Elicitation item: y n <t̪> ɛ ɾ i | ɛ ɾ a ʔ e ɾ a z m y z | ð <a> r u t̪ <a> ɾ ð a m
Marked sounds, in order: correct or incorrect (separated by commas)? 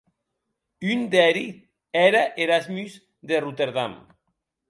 incorrect, incorrect, incorrect